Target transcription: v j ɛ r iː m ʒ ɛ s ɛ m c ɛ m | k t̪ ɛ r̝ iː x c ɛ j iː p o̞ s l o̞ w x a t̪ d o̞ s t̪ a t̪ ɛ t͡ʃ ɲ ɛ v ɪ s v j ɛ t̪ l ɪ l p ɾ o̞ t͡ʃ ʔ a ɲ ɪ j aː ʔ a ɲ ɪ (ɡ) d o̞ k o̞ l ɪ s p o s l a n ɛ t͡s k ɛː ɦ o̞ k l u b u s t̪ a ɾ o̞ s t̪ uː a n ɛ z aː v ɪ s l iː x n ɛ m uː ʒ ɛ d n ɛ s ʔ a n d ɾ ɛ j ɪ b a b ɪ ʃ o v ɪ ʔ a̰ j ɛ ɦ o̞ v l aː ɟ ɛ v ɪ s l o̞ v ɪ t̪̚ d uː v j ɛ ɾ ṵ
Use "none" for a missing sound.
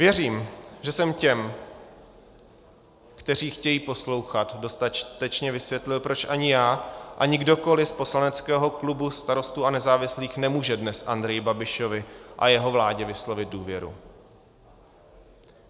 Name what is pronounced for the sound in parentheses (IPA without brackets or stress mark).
ɡ